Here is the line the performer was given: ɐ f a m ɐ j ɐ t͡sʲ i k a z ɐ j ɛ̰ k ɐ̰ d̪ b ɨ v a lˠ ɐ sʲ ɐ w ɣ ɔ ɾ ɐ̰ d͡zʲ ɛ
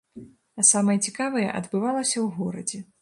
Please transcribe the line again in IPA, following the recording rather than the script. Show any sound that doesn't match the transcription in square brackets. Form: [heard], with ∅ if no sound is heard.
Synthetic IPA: ɐ [s] a m ɐ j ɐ t͡sʲ i k a [v] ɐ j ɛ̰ [ʔ] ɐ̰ d̪ b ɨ v a lˠ ɐ sʲ ɐ w ɣ ɔ ɾ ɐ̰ d͡zʲ ɛ